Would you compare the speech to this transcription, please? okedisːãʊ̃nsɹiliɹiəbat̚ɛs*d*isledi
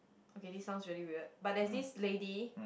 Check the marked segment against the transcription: correct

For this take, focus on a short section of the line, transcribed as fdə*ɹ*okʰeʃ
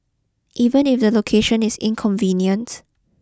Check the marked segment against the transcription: incorrect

